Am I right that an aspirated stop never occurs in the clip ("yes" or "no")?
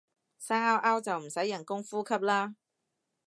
no